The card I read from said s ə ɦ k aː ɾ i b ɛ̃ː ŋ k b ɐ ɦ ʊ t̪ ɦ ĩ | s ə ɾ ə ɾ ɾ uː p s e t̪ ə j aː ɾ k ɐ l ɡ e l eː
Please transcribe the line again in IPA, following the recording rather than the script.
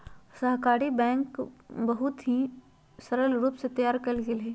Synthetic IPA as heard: s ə ɦ k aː ɾ i b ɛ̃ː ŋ k b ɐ ɦ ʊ t̪ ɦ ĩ | s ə ɾ ə l ɾ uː p s e t̪ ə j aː ɾ k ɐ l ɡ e l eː